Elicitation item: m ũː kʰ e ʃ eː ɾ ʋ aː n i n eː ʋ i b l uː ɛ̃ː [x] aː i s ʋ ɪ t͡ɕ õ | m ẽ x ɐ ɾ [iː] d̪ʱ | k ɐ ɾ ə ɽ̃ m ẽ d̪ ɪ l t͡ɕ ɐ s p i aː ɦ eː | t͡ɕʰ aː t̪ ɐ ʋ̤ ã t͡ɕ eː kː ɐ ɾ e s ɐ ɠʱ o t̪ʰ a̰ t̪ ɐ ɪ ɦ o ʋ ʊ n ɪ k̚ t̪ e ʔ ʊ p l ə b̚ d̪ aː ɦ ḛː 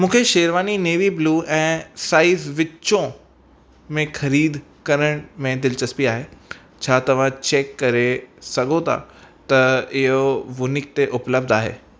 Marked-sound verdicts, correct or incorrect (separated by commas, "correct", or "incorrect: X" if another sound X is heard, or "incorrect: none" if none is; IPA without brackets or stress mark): incorrect: s, correct